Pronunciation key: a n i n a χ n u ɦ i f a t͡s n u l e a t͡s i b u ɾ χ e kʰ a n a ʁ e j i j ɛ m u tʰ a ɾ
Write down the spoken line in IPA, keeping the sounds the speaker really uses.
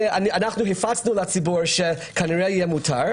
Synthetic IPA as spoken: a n a n a χ n u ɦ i f a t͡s n u l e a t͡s i b u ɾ ʃ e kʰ a n i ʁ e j i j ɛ m u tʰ a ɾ